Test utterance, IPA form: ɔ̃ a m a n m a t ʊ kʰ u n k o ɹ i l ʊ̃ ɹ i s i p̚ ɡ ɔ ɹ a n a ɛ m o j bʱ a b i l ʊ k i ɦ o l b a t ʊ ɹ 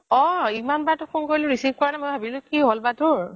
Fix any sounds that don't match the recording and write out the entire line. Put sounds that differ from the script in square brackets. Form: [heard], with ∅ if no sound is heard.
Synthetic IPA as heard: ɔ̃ [i] m a n [b] a t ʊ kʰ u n k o ɹ i l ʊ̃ ɹ i s i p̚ [k] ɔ ɹ a n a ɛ m o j bʱ a b i l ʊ k i ɦ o l b a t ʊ ɹ